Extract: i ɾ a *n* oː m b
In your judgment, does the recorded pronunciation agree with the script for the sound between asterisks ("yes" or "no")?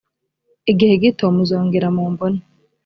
no